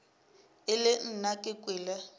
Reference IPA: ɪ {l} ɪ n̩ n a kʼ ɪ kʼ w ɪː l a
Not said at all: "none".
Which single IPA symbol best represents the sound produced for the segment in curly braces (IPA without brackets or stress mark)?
l